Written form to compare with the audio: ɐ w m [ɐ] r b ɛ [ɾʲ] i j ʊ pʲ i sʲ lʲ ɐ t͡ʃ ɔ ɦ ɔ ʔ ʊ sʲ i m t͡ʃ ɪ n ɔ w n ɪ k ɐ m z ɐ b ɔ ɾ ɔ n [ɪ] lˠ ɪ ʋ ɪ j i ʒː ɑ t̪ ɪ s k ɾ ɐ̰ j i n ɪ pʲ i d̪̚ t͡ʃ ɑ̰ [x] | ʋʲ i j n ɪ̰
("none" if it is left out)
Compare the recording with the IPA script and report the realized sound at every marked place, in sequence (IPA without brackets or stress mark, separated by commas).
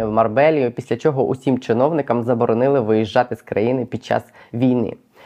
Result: ɐ, lʲ, ɪ, s